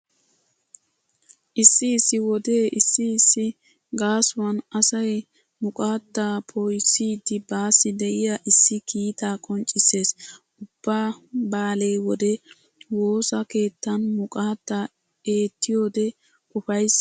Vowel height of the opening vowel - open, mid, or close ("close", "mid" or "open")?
close